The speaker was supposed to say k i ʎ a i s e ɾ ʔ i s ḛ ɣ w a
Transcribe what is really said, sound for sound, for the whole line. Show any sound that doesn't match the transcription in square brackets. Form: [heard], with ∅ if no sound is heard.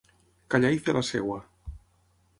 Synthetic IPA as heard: k [a] ʎ a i [θ] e [l] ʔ [a] s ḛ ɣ w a

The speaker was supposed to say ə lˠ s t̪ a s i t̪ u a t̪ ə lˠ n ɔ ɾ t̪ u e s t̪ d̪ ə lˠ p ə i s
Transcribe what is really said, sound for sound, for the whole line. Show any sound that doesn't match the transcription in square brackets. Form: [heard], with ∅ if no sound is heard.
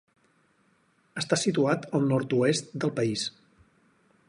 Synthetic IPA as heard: ə [∅] s t̪ a s i t̪ u a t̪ ə lˠ n ɔ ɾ t̪ u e s t̪ d̪ ə lˠ p ə i s

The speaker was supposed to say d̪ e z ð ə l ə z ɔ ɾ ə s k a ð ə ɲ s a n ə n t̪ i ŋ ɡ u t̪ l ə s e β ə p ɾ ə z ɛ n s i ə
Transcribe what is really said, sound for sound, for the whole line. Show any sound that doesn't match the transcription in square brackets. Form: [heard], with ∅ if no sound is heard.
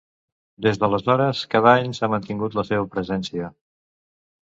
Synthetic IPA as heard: d̪ e z ð ə l ə z ɔ ɾ ə s k a ð [a] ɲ s a [m] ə n t̪ i ŋ ɡ u t̪ l ə s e β ə p ɾ ə z ɛ n s i ə

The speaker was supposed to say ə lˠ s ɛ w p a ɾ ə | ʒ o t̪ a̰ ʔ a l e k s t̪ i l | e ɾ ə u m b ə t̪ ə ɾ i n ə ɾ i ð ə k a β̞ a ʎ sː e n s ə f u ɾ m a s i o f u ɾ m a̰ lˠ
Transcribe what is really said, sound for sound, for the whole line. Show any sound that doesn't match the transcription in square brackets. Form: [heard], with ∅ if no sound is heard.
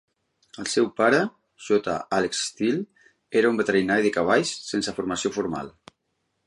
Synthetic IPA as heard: ə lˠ s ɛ w p a ɾ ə | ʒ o t̪ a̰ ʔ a l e k s t̪ i l | e ɾ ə u m b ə t̪ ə ɾ i n [a] ɾ i ð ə k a β̞ a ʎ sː e n s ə f u ɾ m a s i o f u ɾ m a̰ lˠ

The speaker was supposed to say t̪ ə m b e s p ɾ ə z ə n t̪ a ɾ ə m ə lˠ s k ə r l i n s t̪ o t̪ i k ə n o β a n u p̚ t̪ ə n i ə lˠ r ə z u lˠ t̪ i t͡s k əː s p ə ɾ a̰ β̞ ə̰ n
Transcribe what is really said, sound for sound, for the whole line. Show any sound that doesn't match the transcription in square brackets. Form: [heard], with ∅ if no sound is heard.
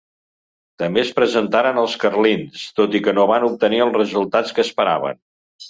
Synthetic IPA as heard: t̪ ə m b e s p ɾ ə z ə n t̪ a ɾ ə [n] ə lˠ s k ə r l i n s t̪ o t̪ i k ə n o β a n u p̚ t̪ ə n i ə lˠ r ə z u lˠ t̪ [a] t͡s k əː s p ə ɾ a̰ β̞ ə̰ n

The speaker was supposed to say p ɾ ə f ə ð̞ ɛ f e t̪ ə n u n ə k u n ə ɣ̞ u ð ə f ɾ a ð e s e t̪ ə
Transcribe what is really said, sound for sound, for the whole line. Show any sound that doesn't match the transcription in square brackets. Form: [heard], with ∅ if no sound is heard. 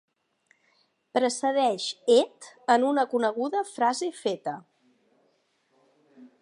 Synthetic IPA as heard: p ɾ ə [s] ə ð̞ ɛ [ʃ] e t̪ ə n u n ə k u n ə ɣ̞ u ð ə f ɾ a [z] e [f] e t̪ ə

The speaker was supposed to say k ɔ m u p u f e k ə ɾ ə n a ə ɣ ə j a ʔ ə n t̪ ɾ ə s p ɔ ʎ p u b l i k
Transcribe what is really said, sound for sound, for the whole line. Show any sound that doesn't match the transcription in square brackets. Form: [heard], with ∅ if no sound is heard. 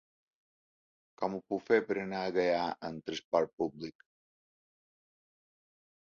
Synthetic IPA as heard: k ɔ m u p u f e [p] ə ɾ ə n a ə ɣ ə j a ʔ ə n t̪ ɾ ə s p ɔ [ɾ] p u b l i k

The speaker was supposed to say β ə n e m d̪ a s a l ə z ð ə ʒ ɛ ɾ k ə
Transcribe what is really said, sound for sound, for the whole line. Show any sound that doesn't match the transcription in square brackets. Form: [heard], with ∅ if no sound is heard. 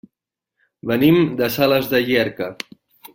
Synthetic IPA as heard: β ə n [i] m d̪ [ə] s a l ə z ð ə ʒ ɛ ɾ k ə

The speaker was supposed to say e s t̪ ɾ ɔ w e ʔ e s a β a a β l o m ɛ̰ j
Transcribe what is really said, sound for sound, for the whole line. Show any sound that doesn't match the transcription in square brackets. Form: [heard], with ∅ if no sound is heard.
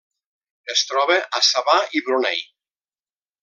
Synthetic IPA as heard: e s t̪ ɾ ɔ [β] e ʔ [a] s a β a [i] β [ɾ] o [n] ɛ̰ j

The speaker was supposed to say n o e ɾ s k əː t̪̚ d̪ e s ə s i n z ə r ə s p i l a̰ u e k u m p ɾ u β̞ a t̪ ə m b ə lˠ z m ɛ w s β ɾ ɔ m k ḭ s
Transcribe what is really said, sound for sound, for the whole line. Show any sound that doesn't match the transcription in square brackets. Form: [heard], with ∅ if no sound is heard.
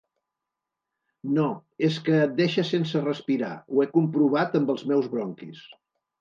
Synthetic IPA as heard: n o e [∅] s k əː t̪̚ d̪ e [ʃ] ə s [e] n [s] ə r ə s p i [ɾ] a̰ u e k u m p ɾ u β̞ a t̪ ə m b ə lˠ z m ɛ w [z] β ɾ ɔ [ŋ] k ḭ s

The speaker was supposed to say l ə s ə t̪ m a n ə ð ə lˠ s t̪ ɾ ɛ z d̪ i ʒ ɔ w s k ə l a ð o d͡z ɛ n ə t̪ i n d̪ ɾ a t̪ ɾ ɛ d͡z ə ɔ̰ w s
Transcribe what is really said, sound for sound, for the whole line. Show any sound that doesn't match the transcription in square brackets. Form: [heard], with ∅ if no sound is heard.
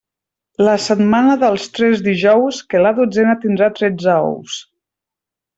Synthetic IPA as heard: l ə s ə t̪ m a n ə ð ə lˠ s t̪ ɾ ɛ z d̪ i ʒ ɔ w s k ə l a ð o d͡z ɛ n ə t̪ i n d̪ ɾ a t̪ ɾ ɛ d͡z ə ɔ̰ w s

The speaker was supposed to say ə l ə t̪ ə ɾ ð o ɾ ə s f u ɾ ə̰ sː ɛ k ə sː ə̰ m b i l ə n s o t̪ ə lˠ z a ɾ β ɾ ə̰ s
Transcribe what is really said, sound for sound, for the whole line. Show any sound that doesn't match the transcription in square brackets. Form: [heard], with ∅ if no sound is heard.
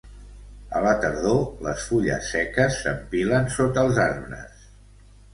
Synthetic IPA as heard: ə l ə t̪ ə ɾ ð o [l] ə s f u [ʎ] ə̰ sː ɛ k ə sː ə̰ m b i l ə n s o t̪ ə lˠ z a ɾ β ɾ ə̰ s

